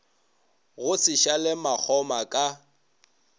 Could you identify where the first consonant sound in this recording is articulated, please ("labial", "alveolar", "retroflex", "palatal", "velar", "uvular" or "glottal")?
velar